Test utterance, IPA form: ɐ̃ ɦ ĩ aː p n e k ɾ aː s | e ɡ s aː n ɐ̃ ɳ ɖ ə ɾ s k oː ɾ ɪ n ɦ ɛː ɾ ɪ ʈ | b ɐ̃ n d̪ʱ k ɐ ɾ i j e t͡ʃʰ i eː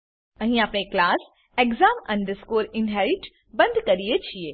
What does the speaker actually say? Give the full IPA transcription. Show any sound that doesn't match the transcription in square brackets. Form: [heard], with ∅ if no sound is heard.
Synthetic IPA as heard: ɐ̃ ɦ ĩ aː p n e k [l] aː s | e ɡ [z] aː [m] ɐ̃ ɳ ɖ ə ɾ s k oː ɾ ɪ n ɦ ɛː ɾ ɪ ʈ | b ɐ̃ n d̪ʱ k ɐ ɾ i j e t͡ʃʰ i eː